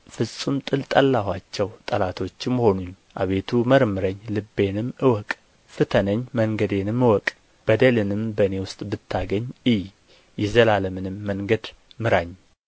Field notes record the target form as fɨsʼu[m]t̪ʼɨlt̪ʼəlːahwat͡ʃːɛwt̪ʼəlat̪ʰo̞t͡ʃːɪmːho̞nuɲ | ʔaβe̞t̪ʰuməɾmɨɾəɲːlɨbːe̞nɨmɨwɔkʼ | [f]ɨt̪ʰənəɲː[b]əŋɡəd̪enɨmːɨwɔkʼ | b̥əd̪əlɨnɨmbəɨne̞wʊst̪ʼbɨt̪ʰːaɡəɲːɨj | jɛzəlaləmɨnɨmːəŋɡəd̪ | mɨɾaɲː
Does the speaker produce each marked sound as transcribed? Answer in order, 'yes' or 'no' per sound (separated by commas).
yes, yes, no